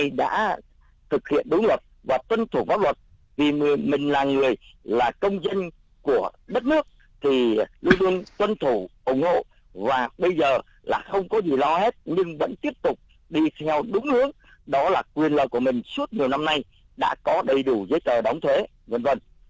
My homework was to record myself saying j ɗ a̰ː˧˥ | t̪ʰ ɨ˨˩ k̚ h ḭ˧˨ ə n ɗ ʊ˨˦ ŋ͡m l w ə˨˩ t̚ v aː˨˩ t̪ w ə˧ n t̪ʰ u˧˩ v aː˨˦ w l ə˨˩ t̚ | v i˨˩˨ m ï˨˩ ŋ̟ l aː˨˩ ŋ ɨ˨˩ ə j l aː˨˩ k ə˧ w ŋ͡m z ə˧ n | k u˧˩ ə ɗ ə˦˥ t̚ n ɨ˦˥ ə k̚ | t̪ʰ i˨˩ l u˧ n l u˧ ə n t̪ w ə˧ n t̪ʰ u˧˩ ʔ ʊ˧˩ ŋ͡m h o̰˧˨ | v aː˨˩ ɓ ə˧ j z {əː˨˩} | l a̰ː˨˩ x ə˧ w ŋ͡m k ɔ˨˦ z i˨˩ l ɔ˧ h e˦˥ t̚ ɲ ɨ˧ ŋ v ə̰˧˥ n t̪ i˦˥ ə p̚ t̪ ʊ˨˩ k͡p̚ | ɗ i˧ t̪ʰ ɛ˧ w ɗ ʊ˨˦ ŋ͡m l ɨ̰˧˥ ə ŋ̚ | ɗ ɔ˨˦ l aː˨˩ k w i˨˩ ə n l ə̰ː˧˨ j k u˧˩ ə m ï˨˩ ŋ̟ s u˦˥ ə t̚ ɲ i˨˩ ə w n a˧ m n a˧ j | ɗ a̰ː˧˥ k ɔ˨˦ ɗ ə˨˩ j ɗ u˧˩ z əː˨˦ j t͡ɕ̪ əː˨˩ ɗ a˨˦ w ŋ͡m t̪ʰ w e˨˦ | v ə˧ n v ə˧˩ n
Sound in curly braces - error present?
no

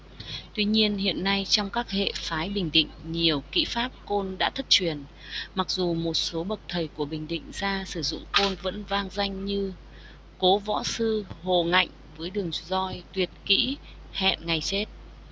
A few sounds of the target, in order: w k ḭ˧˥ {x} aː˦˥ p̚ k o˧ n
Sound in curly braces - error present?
yes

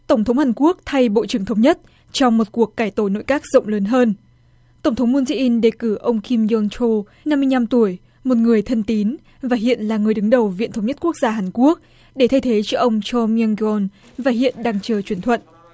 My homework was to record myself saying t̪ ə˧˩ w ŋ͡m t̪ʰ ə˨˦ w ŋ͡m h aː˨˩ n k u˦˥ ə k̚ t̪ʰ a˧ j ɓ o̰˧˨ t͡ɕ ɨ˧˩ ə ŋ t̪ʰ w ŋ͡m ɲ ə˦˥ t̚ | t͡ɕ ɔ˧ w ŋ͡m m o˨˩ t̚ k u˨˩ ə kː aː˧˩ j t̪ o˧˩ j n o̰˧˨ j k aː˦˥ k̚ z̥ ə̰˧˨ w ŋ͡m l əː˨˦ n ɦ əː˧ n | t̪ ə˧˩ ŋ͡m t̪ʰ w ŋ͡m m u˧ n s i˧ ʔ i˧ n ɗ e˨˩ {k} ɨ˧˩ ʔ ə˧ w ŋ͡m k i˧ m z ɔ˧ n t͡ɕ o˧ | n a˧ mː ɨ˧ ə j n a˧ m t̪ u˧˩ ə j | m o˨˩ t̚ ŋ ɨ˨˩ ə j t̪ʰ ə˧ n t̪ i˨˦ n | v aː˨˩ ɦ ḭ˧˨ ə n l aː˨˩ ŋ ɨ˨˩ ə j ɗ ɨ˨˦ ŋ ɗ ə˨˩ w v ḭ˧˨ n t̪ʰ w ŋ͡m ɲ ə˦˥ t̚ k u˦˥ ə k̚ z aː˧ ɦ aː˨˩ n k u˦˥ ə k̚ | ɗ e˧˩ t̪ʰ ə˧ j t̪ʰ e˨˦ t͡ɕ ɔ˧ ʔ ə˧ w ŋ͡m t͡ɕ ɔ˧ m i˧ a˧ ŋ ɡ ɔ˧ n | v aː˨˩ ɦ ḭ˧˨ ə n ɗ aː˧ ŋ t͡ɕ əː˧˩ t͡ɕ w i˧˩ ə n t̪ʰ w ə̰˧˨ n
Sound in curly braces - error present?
no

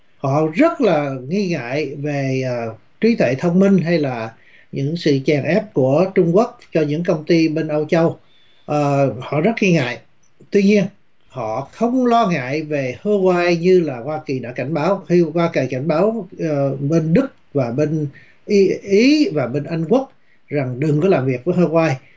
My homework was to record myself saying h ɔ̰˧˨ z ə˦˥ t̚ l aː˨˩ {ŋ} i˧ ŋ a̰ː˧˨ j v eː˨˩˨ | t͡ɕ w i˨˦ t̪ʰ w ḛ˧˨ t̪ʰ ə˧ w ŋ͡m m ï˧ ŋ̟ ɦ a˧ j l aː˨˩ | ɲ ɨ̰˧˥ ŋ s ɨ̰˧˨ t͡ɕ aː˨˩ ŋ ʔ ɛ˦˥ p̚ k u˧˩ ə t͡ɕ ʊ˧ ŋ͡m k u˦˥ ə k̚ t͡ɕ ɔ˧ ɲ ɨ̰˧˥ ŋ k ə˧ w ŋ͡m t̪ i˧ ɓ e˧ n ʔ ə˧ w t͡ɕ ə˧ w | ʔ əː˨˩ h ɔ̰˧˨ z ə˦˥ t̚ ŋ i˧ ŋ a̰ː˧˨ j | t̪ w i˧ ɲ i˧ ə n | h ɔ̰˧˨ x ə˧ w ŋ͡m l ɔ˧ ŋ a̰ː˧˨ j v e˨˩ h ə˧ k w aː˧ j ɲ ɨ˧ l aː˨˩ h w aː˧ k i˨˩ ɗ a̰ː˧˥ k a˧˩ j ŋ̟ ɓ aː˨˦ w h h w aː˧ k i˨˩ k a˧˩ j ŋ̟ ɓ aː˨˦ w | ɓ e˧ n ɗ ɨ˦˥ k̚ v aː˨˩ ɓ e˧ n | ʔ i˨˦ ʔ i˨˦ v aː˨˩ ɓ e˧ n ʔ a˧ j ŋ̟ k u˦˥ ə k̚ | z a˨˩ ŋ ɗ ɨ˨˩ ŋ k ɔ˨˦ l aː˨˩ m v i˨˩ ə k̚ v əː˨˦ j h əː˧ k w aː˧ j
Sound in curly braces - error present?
no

